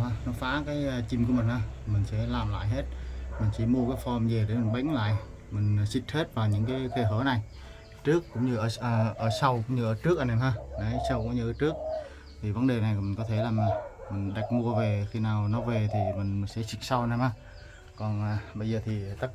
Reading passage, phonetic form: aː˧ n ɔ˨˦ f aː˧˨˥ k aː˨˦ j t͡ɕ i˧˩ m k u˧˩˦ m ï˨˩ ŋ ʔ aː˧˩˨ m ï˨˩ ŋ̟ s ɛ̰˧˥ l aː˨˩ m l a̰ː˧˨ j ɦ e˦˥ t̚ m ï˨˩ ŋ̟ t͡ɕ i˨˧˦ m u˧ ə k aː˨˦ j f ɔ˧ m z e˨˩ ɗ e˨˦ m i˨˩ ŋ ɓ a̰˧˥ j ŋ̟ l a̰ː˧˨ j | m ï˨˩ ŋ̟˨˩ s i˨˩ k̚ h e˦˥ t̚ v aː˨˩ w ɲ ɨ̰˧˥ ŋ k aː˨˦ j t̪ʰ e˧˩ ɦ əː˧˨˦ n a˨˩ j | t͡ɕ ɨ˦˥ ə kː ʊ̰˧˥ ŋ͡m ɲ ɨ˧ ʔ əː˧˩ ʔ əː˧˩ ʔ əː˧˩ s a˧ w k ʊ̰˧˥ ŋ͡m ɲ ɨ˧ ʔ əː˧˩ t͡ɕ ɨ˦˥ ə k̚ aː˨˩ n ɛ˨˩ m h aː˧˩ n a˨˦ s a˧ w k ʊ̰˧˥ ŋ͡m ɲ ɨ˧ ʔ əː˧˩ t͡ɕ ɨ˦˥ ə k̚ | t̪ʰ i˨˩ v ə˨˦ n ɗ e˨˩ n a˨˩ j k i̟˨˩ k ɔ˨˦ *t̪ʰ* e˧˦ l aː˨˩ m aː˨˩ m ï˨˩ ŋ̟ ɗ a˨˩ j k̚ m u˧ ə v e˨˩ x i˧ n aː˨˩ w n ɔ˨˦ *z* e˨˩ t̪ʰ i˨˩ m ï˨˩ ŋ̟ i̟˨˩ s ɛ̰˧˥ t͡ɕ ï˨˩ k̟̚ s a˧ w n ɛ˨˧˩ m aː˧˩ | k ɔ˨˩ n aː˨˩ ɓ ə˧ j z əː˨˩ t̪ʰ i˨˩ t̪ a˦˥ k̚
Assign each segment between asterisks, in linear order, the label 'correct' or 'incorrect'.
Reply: correct, incorrect: v

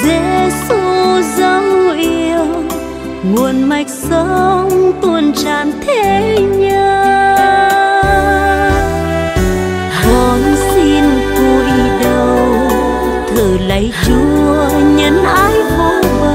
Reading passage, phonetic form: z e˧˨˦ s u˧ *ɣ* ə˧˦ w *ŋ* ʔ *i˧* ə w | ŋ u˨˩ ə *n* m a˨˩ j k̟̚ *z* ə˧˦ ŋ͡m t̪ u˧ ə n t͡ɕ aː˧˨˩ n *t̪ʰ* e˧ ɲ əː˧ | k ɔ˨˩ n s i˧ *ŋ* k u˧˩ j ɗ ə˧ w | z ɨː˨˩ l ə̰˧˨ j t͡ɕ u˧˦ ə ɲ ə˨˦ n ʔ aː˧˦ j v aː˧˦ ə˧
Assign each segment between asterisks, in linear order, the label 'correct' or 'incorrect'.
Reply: incorrect: z, incorrect: ŋ͡m, correct, correct, incorrect: s, correct, incorrect: n

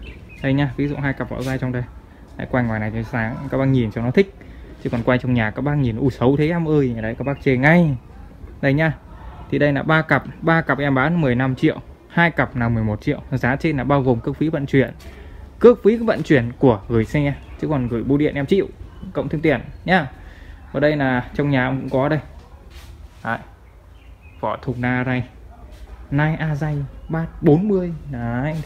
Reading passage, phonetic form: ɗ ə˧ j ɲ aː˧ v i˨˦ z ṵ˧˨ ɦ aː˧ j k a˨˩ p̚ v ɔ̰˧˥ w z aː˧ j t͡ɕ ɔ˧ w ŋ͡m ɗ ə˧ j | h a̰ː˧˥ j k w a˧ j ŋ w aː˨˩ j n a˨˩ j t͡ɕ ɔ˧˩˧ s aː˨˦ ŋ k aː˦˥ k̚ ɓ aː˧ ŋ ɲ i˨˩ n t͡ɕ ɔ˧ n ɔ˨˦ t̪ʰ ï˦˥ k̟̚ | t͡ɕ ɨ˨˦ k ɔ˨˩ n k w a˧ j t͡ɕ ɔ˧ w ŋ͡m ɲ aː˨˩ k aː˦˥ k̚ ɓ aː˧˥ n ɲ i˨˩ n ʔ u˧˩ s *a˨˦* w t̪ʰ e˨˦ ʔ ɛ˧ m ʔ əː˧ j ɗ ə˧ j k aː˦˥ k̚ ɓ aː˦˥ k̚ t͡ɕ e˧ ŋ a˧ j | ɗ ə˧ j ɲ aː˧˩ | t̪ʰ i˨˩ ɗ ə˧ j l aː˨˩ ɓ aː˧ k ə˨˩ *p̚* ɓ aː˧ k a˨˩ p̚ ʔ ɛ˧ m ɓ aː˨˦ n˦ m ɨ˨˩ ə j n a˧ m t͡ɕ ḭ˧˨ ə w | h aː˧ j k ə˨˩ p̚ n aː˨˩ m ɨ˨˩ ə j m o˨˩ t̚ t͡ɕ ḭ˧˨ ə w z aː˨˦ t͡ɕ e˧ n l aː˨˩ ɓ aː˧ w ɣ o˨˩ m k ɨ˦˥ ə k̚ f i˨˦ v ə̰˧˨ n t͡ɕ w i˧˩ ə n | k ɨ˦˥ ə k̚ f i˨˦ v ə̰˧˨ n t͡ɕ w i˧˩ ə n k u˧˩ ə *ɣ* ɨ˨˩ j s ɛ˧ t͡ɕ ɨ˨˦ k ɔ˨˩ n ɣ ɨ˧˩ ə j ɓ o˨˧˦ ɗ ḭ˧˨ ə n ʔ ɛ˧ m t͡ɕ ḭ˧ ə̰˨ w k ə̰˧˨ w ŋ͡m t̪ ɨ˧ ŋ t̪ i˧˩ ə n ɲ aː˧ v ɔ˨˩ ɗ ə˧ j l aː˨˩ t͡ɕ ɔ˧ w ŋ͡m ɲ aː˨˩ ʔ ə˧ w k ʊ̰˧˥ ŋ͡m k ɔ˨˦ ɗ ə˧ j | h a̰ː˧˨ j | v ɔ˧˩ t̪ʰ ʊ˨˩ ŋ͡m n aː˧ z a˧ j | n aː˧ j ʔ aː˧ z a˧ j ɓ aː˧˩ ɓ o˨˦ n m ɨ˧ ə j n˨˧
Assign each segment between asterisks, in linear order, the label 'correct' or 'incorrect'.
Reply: incorrect: ə˨˦, correct, correct

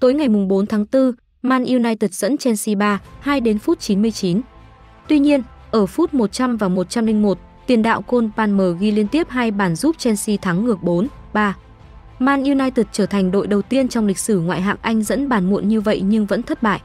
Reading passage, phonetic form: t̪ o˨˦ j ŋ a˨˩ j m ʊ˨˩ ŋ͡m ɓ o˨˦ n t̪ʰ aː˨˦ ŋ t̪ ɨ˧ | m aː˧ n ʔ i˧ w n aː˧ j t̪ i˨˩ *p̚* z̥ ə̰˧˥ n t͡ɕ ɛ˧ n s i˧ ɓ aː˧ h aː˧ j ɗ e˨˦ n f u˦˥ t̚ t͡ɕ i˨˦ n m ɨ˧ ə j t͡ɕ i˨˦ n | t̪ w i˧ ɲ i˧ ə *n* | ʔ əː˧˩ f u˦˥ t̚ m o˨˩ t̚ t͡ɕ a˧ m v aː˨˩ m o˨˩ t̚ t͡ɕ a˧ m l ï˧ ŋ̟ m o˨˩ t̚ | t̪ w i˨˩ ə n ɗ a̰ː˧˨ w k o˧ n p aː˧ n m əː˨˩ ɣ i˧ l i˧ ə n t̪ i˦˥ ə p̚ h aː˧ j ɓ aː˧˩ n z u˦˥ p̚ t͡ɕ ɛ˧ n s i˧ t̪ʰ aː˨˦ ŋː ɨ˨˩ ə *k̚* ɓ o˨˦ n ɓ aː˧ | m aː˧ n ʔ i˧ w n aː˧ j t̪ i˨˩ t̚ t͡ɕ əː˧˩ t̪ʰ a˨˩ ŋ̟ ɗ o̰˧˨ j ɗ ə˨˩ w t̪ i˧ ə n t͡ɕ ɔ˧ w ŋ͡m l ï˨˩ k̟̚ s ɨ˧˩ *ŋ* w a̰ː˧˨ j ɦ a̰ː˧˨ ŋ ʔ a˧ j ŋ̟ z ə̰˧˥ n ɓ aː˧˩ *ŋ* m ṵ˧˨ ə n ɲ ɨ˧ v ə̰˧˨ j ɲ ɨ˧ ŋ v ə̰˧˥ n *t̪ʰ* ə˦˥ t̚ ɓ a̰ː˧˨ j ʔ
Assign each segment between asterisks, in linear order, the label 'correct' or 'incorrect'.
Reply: incorrect: t̚, correct, correct, correct, incorrect: n, correct

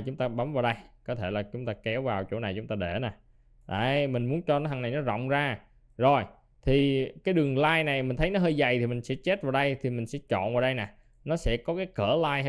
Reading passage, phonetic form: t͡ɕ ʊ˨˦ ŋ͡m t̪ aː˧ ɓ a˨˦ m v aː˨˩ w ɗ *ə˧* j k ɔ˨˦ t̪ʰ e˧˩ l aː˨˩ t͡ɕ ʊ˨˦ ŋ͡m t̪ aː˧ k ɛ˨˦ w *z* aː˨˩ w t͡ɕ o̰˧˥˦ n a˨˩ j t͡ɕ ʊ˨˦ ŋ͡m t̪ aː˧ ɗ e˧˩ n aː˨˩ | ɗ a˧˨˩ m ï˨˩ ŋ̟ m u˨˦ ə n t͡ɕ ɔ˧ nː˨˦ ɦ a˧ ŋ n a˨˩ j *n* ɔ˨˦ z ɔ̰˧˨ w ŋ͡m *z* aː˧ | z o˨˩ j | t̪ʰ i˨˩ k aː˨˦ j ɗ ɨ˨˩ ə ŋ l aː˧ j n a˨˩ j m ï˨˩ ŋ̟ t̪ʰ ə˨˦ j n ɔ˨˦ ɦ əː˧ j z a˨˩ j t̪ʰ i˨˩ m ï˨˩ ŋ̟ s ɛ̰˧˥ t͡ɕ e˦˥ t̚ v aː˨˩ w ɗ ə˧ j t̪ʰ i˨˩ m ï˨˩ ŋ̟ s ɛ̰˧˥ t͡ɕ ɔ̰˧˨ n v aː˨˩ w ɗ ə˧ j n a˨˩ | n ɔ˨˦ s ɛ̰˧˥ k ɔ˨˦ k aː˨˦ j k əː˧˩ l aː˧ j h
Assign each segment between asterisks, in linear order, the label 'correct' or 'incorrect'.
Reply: correct, incorrect: v, correct, correct

